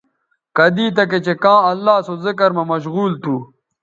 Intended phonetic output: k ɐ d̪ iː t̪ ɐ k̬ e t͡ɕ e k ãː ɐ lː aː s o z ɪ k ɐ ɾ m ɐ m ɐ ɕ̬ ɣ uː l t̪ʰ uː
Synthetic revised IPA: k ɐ d̪ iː t̪ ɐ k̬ e t͡ɕ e k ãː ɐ lː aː s o z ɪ k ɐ ɾ m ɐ m ɐ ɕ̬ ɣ uː l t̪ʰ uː